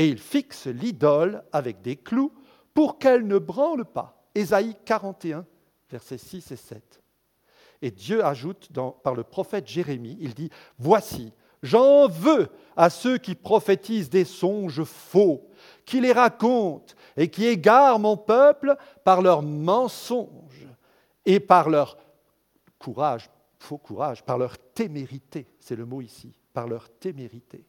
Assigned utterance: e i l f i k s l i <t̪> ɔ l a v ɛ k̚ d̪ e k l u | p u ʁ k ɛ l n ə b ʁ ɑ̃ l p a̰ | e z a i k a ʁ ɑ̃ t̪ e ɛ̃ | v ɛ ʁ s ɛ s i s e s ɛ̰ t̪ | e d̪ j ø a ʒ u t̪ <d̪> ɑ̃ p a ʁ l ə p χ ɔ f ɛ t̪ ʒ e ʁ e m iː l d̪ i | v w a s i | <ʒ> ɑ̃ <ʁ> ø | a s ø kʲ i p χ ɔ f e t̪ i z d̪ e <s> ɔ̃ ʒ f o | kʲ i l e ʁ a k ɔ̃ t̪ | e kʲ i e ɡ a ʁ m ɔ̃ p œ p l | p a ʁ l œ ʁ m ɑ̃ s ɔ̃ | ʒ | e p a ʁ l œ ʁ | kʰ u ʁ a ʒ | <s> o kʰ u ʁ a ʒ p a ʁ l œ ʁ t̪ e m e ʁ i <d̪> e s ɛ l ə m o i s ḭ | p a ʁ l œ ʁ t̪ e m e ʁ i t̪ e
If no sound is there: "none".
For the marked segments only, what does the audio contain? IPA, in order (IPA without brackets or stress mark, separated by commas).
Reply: d̪, d̪, ʒ, v, s, f, t̪